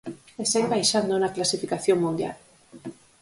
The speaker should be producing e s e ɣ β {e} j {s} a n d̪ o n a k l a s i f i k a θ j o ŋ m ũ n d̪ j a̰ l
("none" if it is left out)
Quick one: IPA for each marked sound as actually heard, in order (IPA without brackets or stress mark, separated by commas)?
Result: a, ʃ